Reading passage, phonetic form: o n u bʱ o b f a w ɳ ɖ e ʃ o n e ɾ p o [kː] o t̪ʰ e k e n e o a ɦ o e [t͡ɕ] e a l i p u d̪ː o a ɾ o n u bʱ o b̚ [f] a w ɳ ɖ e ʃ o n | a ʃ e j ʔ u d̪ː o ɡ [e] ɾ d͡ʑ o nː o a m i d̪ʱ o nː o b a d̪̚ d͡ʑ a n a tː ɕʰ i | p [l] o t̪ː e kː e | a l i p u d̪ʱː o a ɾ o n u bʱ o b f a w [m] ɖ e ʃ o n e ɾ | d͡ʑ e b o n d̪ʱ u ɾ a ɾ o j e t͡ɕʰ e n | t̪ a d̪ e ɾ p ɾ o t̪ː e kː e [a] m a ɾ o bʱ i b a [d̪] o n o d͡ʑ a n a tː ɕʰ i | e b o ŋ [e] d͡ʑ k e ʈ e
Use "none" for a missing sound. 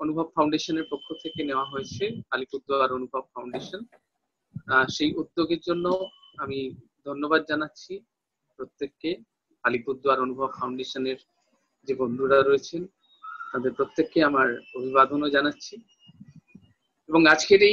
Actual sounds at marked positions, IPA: kʰː, t͡ɕʰ, f, e, ɾ, ɳ, a, d̪, a

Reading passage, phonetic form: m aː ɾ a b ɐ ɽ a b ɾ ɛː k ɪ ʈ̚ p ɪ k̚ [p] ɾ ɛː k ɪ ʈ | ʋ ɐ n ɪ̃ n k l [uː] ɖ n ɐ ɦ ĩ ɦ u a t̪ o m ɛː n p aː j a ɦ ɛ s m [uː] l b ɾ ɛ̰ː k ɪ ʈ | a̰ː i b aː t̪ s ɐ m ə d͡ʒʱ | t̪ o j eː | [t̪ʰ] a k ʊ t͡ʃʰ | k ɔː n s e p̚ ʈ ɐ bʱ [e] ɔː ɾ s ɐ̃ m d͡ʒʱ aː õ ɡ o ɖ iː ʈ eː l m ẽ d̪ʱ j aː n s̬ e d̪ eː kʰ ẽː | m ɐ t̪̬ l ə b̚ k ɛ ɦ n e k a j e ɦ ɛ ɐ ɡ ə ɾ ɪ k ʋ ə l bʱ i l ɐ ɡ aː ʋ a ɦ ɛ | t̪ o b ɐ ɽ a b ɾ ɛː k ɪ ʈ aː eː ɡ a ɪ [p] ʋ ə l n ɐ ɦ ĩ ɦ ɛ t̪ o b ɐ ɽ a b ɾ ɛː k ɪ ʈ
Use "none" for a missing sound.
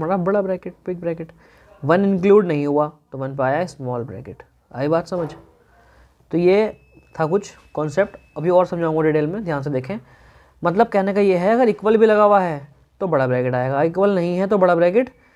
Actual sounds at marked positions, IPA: b, uː, ɔː, t̪ʰ, i, k

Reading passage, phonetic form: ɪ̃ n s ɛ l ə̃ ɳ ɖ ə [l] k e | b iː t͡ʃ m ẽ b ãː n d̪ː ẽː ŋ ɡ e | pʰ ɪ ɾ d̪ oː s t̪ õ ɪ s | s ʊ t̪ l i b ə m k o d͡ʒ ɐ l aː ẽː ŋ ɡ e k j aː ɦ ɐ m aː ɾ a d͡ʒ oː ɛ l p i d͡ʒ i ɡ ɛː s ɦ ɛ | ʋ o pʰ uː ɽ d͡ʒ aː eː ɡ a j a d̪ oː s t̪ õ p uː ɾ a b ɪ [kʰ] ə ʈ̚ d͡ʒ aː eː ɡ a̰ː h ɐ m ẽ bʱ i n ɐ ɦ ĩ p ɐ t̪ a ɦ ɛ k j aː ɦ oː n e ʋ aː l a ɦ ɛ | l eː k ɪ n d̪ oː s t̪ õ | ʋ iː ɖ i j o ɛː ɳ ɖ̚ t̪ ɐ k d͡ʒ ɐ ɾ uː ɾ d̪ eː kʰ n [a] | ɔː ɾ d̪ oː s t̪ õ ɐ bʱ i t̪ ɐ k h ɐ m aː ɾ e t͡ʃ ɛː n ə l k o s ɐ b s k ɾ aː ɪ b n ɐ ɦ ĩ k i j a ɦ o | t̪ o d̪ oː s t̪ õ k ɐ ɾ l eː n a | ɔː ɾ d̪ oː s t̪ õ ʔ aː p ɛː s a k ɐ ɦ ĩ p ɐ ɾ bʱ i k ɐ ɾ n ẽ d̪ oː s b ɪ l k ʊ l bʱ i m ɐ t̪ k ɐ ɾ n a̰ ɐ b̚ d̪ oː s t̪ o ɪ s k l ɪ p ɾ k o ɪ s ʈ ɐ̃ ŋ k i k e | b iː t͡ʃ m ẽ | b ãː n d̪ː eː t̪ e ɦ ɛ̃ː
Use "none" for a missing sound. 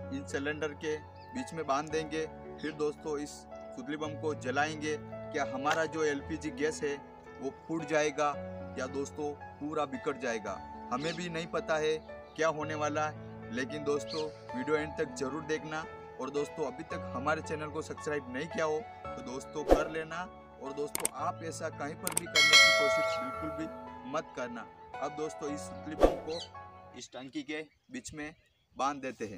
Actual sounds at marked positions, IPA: ɾ, k, a

